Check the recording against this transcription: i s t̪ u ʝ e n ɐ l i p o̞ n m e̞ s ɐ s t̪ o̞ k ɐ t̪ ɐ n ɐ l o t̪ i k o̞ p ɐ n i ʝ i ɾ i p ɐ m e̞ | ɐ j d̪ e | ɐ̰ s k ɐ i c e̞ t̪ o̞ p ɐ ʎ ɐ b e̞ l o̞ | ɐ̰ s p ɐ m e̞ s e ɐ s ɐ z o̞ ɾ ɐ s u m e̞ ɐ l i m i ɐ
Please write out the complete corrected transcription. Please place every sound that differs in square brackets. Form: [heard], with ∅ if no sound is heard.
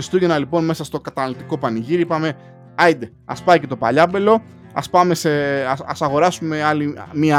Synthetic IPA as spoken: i s t̪ u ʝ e n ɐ l i p o̞ n m e̞ s ɐ s t̪ o̞ k ɐ t̪ ɐ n ɐ l o t̪ i k o̞ p ɐ n i ʝ i ɾ i p ɐ m e̞ | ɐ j d̪ e | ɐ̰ s [p] ɐ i c e̞ t̪ o̞ p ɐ ʎ ɐ b e̞ l o̞ | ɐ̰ s p ɐ m e̞ s e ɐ s ɐ [ɣ] o̞ ɾ ɐ s u m e̞ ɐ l i m i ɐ